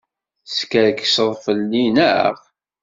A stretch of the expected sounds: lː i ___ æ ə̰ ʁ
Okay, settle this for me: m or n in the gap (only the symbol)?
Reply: n